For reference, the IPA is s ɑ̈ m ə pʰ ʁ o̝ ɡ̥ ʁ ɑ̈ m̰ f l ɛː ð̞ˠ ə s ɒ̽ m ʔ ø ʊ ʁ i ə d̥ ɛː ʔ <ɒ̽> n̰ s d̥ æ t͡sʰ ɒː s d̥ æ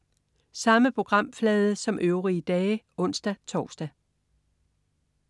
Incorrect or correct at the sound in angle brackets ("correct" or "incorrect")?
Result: incorrect